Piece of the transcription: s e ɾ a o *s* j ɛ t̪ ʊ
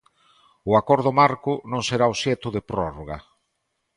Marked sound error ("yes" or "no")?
no